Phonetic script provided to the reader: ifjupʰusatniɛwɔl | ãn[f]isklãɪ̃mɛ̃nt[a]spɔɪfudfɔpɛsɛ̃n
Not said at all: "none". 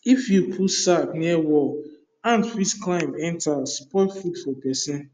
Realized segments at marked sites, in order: f, a

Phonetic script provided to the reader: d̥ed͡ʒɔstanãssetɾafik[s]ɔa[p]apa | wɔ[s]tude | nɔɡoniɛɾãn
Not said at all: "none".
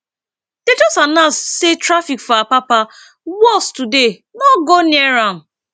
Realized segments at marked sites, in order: f, p, s

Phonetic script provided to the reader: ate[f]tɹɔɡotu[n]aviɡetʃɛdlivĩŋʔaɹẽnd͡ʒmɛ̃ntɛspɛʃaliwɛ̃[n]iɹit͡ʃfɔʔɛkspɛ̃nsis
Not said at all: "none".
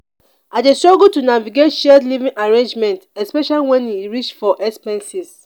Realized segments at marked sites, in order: s, n, n

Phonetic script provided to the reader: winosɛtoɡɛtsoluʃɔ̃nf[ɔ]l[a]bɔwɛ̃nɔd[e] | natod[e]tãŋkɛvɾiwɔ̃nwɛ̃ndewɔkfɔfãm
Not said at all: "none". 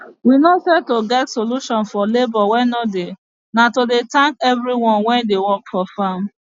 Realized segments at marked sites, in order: ɔ, e, e, e

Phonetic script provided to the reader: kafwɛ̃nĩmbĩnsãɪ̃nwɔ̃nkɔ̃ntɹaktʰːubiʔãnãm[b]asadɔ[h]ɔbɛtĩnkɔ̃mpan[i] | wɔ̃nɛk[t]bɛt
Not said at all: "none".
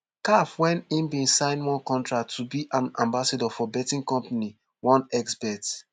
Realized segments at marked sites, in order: b, f, i, s

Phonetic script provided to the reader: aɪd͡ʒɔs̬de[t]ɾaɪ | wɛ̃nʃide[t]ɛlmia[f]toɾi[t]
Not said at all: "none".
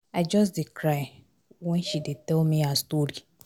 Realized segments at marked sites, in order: k, t, s, none

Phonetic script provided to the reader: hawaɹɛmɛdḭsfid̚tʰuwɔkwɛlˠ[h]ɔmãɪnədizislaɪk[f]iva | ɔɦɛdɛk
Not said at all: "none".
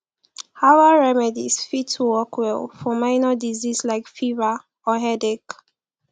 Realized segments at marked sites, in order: f, f

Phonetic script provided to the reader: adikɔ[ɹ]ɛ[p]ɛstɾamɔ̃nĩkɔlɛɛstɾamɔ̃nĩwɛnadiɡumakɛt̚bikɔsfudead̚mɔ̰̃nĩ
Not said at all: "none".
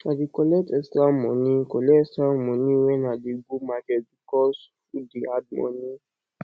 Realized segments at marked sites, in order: l, t

